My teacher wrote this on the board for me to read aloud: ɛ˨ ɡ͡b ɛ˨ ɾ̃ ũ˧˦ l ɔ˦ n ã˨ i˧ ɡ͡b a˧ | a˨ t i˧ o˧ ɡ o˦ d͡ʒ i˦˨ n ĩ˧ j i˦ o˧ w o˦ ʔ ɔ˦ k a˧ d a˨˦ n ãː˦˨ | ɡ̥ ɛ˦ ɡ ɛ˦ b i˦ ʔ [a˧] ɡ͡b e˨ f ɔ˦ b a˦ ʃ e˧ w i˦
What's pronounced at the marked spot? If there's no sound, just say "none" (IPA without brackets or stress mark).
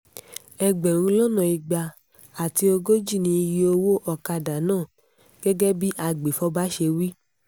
a˧